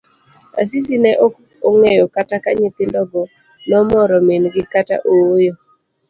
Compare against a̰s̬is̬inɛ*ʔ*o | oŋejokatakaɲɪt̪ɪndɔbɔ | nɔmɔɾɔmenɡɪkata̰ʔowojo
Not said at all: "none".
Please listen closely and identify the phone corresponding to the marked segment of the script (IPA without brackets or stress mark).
ʔ